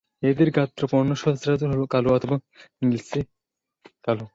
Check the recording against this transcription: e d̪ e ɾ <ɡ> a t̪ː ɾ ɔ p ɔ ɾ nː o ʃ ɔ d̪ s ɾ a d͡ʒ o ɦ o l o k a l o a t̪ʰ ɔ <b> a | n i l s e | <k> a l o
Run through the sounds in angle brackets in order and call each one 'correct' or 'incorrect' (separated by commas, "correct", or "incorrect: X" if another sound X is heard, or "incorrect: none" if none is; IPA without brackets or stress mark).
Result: correct, correct, correct